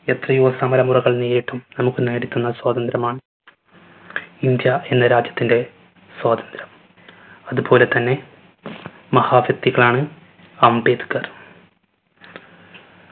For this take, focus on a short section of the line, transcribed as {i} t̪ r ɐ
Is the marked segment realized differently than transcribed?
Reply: yes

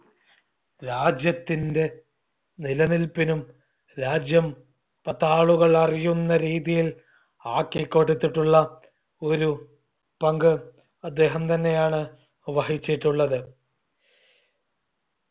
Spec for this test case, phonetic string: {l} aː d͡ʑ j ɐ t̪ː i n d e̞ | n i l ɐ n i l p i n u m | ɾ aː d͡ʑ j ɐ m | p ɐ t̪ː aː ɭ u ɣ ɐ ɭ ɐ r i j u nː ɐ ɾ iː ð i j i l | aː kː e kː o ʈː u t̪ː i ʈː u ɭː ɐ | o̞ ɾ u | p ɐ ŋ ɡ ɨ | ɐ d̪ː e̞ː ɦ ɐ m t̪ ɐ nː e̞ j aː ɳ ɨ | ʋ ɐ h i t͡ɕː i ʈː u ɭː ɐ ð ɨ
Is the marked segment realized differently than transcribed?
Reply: yes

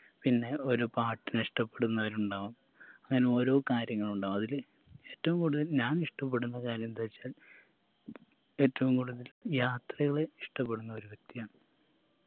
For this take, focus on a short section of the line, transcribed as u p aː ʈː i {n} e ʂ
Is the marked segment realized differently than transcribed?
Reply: no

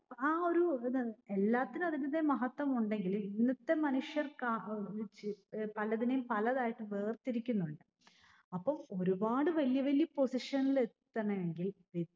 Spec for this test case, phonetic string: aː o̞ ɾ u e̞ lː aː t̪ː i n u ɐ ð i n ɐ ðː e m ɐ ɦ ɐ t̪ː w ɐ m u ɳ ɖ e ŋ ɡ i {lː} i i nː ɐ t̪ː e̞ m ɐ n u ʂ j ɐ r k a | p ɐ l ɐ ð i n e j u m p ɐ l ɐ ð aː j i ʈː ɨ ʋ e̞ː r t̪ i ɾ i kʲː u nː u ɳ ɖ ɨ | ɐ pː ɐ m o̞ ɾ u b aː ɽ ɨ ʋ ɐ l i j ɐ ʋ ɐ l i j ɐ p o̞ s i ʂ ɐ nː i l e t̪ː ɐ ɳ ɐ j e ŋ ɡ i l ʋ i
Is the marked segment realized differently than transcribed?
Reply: yes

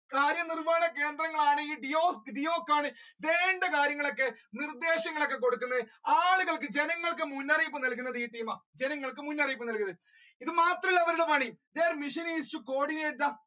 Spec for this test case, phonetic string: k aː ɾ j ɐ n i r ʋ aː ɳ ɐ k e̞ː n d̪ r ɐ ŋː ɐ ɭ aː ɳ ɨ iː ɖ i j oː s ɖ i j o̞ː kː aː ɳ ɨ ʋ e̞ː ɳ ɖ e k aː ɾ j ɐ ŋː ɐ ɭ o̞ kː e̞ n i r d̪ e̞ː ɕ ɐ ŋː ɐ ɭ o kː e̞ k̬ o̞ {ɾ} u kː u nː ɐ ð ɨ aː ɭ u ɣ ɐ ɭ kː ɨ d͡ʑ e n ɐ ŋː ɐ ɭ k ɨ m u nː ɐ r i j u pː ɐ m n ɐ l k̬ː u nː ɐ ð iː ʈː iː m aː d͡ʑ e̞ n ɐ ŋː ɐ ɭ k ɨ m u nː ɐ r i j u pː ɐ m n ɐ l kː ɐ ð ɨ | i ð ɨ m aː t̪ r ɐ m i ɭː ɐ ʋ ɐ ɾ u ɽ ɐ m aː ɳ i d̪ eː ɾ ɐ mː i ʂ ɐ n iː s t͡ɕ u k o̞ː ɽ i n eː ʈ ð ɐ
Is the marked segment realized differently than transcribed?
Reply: yes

